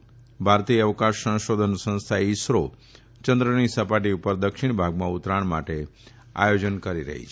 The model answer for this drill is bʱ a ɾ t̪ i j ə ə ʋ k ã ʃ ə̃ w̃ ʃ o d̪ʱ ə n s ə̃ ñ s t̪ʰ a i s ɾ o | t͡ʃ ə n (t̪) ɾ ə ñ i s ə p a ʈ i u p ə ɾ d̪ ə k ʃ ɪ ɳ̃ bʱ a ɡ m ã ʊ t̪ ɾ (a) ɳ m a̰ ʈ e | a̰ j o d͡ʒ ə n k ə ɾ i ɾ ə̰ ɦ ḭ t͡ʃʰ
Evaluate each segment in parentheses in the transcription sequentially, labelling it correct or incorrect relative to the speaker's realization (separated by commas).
incorrect, correct